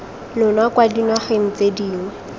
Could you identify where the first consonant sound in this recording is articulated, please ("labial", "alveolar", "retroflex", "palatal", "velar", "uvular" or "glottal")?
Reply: alveolar